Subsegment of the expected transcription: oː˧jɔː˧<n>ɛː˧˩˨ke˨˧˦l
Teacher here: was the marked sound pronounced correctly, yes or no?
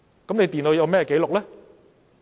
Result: no